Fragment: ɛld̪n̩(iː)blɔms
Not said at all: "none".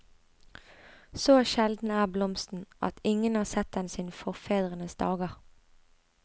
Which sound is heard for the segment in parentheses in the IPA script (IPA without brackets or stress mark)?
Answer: æː